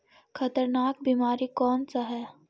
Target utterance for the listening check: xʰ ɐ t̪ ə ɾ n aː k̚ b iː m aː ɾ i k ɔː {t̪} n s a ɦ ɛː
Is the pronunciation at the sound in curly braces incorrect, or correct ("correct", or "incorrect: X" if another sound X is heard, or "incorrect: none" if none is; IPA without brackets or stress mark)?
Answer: incorrect: none